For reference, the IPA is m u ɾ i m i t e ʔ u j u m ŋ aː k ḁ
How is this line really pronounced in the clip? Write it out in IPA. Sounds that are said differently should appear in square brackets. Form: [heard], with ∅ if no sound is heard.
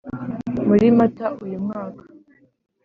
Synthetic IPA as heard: m u ɾ i m [a] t [a] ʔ u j u m ŋ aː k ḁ